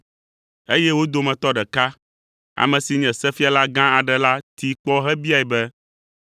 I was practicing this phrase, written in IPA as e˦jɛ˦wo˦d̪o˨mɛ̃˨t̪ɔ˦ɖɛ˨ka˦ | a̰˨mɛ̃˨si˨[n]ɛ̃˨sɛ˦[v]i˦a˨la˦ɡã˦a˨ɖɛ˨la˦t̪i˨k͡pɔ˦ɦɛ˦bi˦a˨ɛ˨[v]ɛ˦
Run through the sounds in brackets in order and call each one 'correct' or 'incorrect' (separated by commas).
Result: incorrect, incorrect, incorrect